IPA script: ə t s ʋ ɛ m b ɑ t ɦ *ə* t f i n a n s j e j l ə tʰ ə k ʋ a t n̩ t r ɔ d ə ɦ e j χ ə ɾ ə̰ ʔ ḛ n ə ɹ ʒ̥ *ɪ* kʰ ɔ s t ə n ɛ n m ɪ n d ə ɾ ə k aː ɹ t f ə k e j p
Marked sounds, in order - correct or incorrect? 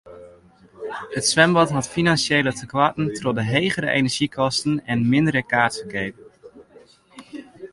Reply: incorrect, incorrect

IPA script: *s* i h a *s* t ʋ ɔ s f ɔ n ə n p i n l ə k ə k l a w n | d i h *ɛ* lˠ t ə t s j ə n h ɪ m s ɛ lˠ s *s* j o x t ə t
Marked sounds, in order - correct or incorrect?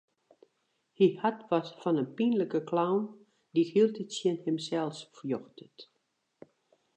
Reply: incorrect, incorrect, incorrect, incorrect

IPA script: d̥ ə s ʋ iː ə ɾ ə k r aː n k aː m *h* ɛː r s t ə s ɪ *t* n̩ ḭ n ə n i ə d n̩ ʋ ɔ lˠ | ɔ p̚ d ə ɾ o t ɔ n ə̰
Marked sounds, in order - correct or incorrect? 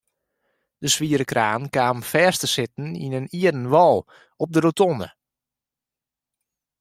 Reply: incorrect, correct

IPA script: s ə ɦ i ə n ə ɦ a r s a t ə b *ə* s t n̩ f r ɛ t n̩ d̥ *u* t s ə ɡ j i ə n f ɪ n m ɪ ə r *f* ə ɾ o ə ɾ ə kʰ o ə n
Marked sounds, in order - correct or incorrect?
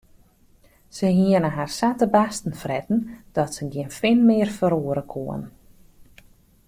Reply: incorrect, incorrect, correct

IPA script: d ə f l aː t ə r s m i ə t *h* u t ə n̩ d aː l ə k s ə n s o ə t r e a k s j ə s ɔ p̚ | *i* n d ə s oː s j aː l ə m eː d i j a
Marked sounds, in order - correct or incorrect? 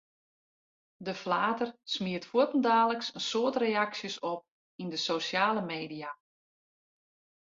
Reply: incorrect, correct

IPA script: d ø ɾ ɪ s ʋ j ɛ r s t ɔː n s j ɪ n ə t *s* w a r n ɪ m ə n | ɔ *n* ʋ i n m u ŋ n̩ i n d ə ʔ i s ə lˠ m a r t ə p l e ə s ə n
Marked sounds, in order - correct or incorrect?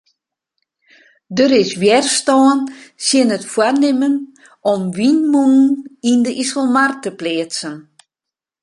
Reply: incorrect, incorrect

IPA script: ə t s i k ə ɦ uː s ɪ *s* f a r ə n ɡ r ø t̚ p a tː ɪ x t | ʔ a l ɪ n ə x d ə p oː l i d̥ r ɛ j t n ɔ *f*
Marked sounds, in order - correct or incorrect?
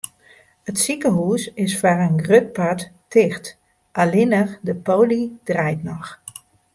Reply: correct, incorrect

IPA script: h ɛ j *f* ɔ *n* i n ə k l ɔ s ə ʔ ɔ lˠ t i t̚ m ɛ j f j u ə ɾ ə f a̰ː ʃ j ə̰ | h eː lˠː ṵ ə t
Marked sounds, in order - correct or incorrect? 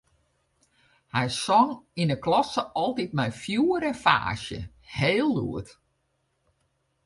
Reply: incorrect, incorrect

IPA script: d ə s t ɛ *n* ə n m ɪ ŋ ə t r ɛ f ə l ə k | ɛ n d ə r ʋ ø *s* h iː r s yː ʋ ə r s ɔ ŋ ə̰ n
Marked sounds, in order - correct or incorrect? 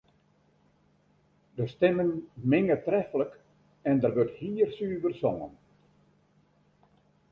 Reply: incorrect, incorrect

